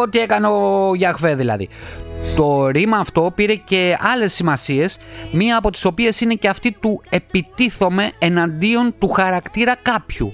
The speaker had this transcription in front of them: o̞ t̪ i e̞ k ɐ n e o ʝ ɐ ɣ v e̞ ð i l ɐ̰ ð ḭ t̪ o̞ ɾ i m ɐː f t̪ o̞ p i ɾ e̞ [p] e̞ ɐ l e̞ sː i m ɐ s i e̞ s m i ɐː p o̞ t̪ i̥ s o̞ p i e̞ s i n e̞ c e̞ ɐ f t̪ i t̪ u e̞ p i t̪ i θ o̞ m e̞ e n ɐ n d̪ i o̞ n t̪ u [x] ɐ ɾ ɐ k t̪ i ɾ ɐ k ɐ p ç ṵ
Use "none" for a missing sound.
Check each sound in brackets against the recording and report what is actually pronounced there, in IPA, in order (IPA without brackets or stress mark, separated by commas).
c, x